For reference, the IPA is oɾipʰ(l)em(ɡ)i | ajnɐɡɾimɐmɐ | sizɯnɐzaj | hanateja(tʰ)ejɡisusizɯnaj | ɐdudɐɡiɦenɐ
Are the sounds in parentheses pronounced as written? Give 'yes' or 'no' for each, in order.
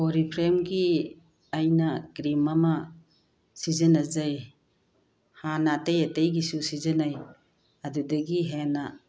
no, yes, no

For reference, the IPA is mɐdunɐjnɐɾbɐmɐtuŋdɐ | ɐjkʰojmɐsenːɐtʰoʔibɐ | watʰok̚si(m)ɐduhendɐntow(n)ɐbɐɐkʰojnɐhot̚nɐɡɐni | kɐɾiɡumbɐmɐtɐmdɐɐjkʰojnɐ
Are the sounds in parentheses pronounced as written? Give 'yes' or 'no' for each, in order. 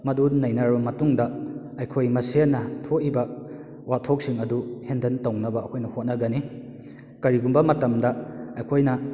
no, yes

